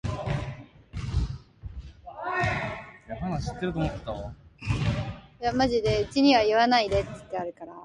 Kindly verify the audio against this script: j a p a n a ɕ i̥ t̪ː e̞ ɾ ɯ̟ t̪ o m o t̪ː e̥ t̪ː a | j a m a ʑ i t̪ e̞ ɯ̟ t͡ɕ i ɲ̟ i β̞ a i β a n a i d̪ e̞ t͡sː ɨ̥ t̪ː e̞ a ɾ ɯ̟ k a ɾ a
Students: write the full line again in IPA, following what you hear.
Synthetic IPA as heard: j a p a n a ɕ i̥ t̪ː e̞ ɾ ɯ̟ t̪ o m o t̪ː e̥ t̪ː a | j a m a ʑ i d̪ e̞ ɯ̟ t͡ɕ i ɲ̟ i β̞ a i β a n a i d̪ e̞ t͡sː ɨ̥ t̪ː e̞ a ɾ ɯ̟ k a ɾ a

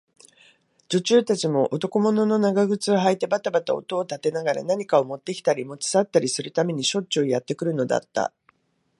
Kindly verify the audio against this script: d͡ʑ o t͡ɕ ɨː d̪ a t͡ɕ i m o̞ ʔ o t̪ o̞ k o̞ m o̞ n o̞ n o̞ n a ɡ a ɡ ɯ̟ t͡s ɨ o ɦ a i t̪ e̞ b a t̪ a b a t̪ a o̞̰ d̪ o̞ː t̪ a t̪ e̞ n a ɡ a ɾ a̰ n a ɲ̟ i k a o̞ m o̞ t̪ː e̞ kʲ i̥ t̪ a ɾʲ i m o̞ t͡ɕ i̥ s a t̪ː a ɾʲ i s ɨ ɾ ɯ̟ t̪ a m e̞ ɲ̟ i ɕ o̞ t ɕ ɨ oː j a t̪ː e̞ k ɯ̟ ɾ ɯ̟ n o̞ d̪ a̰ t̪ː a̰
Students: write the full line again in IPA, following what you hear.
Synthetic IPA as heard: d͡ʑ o t͡ɕ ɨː t̪ a t͡ɕ i m o̞ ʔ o t̪ o̞ k o̞ m o̞ n o̞ n o̞ n a ɡ a ɡ ɯ̟ t͡s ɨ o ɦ a i t̪ e̞ b a t̪ a b a t̪ a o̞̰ t̪ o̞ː t̪ a t̪ e̞ n a ɡ a ɾ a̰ n a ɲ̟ i k a o̞ m o̞ t̪ː e̞ kʲ i̥ t̪ a ɾʲ i m o̞ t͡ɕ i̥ s a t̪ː a ɾʲ i s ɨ ɾ ɯ̟ t̪ a m e̞ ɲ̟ i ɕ o̞ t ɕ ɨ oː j a t̪ː e̞ k ɯ̟ ɾ ɯ̟ n o̞ d̪ a̰ t̪ː a̰

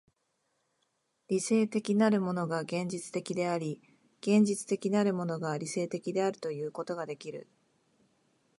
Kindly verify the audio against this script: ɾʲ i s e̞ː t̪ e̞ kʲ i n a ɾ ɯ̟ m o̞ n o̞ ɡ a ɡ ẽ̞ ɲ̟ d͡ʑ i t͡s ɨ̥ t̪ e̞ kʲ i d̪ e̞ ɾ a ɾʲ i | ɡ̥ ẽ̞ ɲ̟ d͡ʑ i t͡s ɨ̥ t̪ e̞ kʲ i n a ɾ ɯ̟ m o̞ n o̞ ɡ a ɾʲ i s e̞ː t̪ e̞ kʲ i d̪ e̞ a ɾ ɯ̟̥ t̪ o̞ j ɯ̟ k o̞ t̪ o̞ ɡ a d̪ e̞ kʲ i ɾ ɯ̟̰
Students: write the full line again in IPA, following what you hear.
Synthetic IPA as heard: ɾʲ i s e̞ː t̪ e̞ kʲ i n a ɾ ɯ̟ m o̞ n o̞ ɡ a ɡ ẽ̞ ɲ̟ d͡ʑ i t͡s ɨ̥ t̪ e̞ kʲ i d̪ e̞ a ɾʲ i | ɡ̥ ẽ̞ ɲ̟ d͡ʑ i t͡s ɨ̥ t̪ e̞ kʲ i n a ɾ ɯ̟ m o̞ n o̞ ɡ a ɾʲ i s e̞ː t̪ e̞ kʲ i d̪ e̞ a ɾ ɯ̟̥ t̪ o̞ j ɯ̟ː k o̞ t̪ o̞ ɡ a d̪ e̞ kʲ i ɾ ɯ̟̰

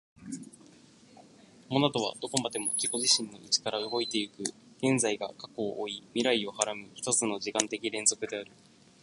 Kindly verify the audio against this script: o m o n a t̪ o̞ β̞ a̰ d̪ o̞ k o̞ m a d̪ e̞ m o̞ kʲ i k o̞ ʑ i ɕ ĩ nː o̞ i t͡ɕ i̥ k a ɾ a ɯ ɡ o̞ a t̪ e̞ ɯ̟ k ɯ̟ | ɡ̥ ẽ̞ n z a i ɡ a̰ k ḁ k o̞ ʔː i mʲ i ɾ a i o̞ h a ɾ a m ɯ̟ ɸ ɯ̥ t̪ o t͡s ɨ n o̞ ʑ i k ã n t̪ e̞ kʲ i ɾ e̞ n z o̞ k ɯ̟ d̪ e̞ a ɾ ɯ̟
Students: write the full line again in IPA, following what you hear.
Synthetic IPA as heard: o m o n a t̪ o̞ β̞ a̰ d̪ o̞ k o̞ m a d̪ e̞ m o̞ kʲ i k o̞ ʑ i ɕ ĩ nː o̞ i t͡ɕ i̥ k a ɾ a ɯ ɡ o̞ i t̪ e̞ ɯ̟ k ɯ̟ | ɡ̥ ẽ̞ n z a i ɡ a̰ k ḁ k o̞ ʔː i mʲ i ɾ a i o̞ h a ɾ a m ɯ̟ ɸ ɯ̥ t̪ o t͡s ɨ n o̞ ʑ i k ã n t̪ e̞ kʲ i ɾ ẽ̞ n z o̞ k ɯ̟ d̪ e̞ a ɾ ɯ̟

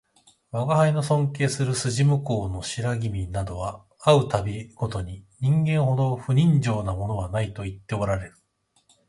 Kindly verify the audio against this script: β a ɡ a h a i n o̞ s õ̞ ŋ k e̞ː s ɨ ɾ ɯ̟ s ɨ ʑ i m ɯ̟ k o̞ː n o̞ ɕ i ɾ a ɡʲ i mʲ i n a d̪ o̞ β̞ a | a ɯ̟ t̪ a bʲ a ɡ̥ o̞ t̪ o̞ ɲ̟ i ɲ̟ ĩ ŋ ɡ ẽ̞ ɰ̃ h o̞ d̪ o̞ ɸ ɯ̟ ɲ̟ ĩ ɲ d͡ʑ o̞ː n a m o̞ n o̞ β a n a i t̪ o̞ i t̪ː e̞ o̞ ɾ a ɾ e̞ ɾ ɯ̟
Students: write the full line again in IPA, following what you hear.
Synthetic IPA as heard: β a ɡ a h a i n o̞ s õ̞ ŋ k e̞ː s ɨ ɾ ɯ̟ s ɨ ʑ i m ɯ̟ k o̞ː n o̞ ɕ i ɾ a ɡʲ i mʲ i n a d̪ o̞ β̞ a | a ɯ̟ t̪ a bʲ i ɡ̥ o̞ t̪ o̞ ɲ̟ i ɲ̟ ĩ ŋ ɡ ẽ̞ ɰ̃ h o̞ d̪ o̞ ɸ ɯ̟ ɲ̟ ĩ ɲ d͡ʑ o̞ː n a m o̞ n o̞ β a n a i t̪ o̞ i t̪ː e̞ o̞ ɾ a ɾ e̞ ɾ ɯ̟

